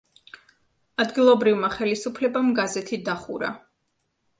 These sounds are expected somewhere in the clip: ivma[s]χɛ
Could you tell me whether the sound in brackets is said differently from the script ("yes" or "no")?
yes